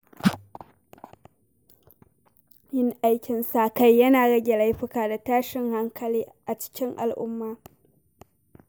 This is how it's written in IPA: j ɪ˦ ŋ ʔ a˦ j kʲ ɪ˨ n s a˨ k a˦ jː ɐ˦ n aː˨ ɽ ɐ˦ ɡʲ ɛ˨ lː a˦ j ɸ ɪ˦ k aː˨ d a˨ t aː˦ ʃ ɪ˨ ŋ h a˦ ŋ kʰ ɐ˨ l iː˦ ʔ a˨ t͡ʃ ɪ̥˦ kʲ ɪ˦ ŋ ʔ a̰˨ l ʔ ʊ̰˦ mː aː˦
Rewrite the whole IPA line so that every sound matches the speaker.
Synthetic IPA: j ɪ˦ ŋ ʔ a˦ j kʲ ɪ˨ n s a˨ k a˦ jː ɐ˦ n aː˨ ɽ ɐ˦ ɡʲ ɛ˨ l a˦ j ɸ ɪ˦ k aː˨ d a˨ t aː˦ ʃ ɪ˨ ŋ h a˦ ŋ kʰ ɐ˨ l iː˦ ʔ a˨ t͡ʃ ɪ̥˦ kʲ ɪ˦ ŋ ʔ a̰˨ l ʔ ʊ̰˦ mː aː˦